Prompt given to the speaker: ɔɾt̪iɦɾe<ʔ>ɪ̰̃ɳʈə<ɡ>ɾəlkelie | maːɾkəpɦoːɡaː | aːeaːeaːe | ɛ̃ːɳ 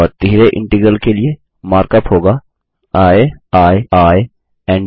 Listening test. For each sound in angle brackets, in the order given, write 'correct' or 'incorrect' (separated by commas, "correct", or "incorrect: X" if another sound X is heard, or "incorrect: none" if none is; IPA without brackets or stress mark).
correct, correct